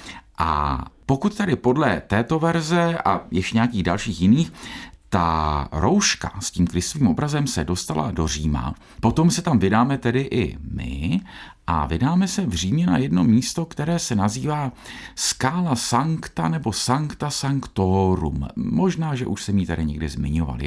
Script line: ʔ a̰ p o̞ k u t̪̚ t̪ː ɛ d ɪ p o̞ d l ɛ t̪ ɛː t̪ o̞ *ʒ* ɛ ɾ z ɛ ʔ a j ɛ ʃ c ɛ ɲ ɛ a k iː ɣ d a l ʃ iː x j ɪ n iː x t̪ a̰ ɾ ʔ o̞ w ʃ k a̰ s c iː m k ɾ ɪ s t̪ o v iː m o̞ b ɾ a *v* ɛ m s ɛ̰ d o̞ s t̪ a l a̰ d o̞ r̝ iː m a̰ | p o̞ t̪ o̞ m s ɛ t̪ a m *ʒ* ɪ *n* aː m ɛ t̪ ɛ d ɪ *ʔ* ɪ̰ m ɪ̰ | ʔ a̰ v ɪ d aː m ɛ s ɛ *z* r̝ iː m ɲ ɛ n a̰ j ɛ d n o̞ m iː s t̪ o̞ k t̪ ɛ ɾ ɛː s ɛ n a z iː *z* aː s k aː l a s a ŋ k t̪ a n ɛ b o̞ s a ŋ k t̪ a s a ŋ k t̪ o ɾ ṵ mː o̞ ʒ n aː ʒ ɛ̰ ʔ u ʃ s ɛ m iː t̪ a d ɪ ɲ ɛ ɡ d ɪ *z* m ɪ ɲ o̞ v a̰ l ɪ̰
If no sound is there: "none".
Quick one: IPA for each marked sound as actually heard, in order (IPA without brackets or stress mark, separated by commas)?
v, z, v, d, ʔ, v, v, z